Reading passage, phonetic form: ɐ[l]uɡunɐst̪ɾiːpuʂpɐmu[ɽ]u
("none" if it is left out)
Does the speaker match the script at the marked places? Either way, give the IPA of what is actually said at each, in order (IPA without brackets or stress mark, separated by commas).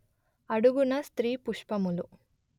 ɽ, l